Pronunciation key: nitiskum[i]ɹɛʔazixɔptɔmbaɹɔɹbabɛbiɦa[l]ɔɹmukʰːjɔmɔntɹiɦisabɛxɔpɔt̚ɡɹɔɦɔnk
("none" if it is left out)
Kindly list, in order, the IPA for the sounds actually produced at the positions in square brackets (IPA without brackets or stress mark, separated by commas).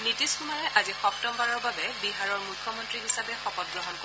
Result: a, ɹ